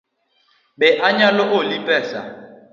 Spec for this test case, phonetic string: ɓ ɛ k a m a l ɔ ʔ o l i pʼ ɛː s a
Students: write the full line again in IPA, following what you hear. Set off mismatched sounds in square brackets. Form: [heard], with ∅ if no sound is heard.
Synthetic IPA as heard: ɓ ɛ [ʔ] a [ɲ] a l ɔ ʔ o l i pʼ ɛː s a